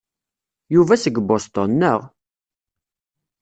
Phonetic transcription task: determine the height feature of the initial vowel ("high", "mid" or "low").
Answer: high